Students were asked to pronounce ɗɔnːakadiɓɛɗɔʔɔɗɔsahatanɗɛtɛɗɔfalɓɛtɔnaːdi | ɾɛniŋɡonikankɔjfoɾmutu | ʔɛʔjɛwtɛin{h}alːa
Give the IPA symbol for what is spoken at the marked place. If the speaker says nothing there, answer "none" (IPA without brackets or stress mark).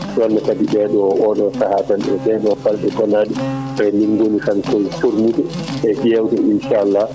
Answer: ʃ